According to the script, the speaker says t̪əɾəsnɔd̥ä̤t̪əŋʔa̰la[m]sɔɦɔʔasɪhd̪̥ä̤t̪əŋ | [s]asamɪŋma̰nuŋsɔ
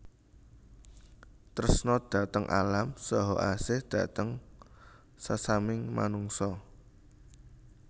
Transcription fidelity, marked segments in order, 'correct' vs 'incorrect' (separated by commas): correct, correct